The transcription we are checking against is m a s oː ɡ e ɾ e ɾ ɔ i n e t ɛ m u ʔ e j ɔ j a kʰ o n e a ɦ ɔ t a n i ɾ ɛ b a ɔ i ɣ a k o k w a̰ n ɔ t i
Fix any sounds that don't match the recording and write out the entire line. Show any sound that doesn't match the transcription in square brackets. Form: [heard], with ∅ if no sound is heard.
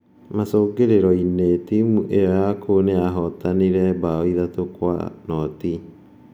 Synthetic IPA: m a s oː ɡ e ɾ e ɾ ɔ i n e t [i] m u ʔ e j ɔ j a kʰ o n e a ɦ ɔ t a n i ɾ ɛ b a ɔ i [ð] a [t] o k w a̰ n ɔ t i